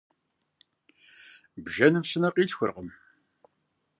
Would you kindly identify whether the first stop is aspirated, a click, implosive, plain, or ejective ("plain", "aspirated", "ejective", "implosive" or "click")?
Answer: plain